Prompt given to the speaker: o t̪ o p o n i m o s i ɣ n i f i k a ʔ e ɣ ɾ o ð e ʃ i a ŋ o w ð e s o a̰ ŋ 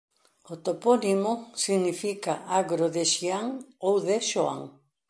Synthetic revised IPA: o t̪ o p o n i m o s i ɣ n i f i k a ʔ a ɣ ɾ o ð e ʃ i a ŋ o w ð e ʃ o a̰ ŋ